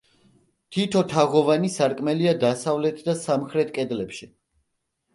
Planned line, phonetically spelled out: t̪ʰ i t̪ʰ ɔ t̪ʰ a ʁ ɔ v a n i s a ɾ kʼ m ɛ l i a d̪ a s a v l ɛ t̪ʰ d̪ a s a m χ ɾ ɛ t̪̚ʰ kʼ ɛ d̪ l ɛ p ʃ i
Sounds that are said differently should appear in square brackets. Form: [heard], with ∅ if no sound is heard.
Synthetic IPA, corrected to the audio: t̪ʰ i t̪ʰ ɔ t̪ʰ a ʁ ɔ v a n i s a ɾ kʼ m ɛ l i a d̪ a s a v l ɛ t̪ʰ d̪ a s a m χ ɾ ɛ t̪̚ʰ kʼ ɛ d̪ l ɛ p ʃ i